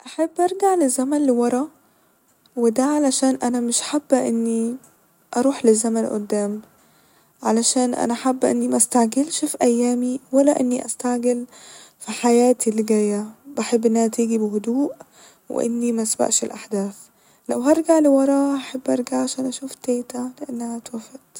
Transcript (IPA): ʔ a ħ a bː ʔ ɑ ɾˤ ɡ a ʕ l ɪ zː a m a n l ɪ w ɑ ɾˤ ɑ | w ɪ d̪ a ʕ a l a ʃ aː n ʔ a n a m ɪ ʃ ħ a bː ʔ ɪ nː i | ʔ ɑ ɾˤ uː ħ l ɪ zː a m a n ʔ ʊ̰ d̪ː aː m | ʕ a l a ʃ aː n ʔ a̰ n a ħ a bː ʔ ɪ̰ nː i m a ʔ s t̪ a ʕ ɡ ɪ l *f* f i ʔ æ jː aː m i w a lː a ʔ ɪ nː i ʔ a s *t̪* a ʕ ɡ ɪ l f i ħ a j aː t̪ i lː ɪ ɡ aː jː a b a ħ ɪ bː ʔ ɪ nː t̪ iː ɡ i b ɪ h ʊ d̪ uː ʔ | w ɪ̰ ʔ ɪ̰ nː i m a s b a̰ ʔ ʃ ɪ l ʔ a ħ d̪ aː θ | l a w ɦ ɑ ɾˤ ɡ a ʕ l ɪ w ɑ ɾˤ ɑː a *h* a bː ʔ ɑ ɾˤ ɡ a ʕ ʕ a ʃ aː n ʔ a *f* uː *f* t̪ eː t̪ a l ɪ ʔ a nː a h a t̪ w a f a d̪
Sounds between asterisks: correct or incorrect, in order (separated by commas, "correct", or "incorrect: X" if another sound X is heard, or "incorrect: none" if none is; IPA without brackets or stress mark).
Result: incorrect: ʃ, correct, incorrect: ħ, incorrect: ʃ, correct